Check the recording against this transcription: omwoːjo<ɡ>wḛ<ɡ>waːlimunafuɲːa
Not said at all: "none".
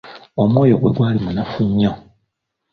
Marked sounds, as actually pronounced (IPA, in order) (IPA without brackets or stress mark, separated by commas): ɡ, ɡ